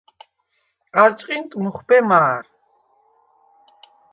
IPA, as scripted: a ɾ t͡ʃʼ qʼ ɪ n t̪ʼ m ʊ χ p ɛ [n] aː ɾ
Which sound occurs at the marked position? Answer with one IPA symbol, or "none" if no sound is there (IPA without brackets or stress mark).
m